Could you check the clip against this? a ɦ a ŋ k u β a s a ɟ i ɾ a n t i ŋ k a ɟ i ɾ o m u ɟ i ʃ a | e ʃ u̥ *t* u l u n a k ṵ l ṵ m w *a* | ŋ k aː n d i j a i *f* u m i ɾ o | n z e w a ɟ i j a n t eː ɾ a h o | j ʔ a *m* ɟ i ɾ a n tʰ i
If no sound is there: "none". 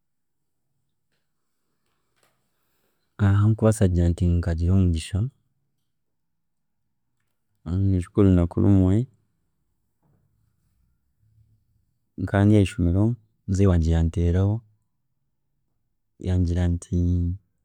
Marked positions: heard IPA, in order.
k, e, ʃ, ɲ

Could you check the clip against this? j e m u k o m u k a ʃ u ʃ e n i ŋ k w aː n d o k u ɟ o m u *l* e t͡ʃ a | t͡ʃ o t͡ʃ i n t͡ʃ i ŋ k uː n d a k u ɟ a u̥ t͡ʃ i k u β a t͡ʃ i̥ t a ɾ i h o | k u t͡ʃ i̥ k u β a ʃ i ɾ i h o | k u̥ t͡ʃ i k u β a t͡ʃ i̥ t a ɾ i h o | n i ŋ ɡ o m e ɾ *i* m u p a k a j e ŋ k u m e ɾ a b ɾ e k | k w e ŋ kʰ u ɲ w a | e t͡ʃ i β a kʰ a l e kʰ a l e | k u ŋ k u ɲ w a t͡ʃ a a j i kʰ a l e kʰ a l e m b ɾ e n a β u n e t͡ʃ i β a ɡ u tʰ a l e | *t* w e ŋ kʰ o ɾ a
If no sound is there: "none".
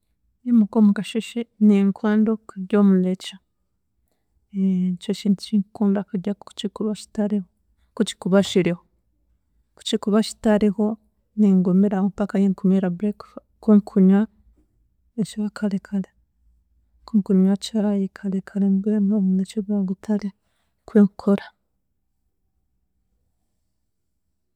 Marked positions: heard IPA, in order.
l, a, k

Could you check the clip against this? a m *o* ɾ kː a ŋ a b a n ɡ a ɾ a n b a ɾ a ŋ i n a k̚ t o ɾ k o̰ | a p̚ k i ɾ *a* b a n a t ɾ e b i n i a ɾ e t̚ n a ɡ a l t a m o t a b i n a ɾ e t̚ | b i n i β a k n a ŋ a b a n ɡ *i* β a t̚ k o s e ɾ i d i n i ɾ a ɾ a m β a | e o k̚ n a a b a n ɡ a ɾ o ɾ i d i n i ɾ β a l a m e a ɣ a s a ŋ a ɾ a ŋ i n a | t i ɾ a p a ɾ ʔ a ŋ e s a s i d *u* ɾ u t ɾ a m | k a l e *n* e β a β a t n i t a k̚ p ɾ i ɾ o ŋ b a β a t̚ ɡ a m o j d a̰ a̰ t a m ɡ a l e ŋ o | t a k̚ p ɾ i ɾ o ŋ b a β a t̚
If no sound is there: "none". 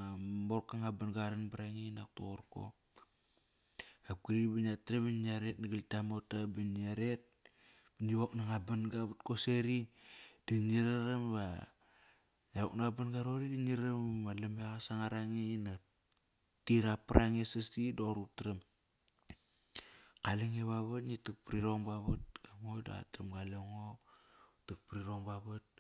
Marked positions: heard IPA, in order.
o, i, a, o, ŋ

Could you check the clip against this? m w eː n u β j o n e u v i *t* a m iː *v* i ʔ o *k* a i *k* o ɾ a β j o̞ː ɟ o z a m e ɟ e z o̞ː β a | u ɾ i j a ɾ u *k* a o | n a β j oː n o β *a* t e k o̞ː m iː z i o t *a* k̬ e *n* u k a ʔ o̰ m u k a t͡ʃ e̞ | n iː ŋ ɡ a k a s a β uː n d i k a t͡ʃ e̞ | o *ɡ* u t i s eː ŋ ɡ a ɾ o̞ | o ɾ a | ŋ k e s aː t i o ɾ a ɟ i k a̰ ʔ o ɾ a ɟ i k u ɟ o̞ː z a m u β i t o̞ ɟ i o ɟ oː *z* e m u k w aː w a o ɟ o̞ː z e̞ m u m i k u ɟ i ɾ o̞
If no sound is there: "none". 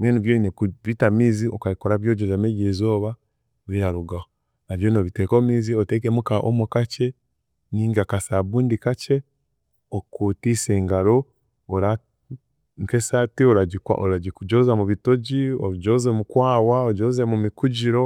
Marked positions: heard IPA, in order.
t, z, k, k, ɡ, i, e, m, k, z

